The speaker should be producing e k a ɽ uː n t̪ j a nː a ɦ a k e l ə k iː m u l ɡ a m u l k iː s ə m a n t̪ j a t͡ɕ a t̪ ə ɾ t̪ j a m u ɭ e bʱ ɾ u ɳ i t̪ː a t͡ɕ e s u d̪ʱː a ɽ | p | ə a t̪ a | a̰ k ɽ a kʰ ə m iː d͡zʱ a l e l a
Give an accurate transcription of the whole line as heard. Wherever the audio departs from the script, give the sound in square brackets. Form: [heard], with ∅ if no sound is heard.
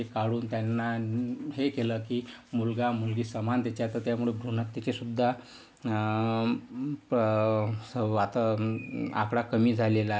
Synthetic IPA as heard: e k a ɽ uː n t̪ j a nː a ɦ [e] k e l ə k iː m u l ɡ a m u l [ɡ] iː s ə m a n t̪ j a t͡ɕ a t̪ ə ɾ t̪ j a m u ɭ e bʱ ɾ u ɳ [a] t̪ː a t͡ɕ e s u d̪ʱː a [∅] | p | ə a t̪ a | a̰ k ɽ a [k] ə m iː d͡zʱ a l e l a